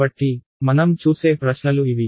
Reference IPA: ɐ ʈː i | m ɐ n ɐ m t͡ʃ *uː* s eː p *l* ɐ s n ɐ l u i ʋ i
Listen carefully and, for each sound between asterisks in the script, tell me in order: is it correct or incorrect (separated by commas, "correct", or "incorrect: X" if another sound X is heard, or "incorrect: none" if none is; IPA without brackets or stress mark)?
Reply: correct, incorrect: ɾ